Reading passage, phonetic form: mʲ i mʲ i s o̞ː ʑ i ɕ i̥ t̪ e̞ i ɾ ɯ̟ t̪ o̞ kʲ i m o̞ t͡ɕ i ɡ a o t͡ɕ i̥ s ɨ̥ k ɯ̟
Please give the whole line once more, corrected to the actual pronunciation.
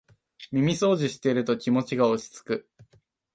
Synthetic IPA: mʲ i mʲ i s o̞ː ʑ i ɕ i̥ t̪ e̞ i ɾ ɯ̟ t̪ o̞ kʲ i m o̞ t͡ɕ i ɡ a o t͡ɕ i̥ t͡s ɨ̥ k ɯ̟